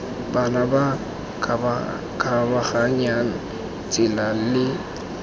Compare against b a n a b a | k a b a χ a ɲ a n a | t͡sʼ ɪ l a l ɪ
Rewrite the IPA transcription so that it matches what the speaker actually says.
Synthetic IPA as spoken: b a n a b a | k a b a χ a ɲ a n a | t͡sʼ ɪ l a l ɪ